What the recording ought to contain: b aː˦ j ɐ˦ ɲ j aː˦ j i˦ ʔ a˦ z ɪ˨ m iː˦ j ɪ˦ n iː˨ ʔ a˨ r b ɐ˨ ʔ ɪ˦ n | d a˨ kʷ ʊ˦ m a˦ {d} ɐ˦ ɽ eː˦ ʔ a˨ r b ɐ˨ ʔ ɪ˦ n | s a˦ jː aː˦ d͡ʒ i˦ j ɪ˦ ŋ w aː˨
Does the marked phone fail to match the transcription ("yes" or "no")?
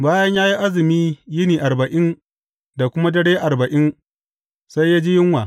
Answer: no